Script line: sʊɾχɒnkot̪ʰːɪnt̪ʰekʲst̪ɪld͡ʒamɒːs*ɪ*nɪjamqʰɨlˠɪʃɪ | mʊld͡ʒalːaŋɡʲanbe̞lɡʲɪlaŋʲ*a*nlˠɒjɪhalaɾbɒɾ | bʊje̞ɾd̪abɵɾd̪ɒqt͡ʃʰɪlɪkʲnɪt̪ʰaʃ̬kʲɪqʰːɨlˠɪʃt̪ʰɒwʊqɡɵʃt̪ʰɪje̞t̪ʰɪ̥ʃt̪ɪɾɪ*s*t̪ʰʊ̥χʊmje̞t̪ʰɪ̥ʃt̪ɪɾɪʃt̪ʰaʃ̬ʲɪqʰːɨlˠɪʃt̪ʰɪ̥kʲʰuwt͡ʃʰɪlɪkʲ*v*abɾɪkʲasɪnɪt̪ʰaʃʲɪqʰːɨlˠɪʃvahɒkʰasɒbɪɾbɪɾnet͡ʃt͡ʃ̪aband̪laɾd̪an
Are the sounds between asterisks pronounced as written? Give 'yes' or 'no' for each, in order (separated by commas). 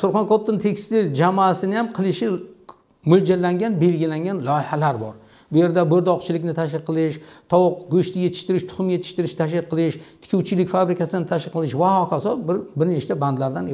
yes, yes, no, no